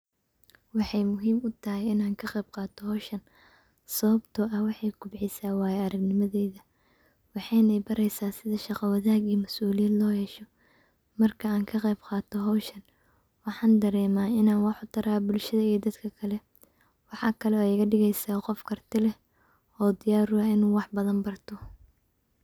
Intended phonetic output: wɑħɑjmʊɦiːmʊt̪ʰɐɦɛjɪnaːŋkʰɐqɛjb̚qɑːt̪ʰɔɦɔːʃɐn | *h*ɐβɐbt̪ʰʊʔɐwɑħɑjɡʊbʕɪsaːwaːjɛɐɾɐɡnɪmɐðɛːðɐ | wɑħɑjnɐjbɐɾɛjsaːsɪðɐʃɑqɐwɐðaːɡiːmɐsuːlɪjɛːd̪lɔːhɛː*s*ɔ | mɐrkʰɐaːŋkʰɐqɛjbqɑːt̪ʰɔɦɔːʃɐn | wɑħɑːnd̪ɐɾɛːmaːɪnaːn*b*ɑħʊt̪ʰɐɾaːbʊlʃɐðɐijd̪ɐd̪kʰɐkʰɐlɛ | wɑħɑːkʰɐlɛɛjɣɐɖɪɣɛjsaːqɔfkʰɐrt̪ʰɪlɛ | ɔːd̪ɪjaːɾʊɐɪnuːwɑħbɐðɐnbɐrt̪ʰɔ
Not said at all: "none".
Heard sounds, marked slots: s, ʃ, w

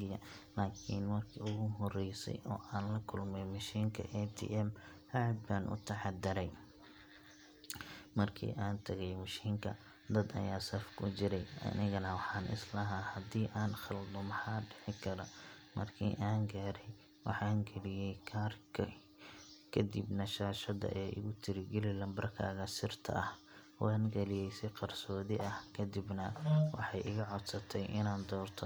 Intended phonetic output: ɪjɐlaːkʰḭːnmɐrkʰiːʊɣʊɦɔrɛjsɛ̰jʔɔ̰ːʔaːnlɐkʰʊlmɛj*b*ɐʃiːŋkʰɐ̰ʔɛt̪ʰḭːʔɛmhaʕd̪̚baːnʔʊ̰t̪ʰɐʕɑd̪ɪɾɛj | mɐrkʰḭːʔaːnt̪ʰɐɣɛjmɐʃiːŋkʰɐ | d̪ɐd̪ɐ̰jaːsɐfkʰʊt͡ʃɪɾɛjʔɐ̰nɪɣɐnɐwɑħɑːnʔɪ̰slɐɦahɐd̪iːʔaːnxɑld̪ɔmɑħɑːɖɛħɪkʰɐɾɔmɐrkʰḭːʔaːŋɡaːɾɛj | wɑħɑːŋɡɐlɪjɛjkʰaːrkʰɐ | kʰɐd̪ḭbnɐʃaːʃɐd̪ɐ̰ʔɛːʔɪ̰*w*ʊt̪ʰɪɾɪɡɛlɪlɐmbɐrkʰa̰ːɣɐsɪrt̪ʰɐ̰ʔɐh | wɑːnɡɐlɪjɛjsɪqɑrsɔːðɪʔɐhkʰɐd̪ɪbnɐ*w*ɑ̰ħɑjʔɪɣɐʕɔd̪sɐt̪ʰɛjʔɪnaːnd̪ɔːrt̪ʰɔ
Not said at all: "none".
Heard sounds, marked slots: m, ɣ, w

